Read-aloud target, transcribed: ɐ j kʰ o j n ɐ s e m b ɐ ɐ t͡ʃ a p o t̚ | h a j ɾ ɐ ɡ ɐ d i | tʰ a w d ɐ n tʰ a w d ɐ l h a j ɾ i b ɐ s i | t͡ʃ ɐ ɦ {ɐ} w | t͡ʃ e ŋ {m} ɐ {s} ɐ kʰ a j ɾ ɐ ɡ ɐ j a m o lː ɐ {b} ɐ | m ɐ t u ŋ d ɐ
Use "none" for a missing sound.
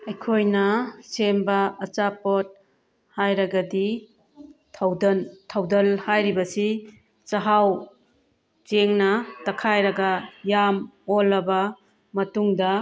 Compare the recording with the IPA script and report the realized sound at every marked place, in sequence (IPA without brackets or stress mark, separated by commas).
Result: a, n, t, b